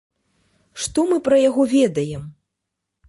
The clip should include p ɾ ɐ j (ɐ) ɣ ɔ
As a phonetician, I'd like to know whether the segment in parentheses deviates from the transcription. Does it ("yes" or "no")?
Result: yes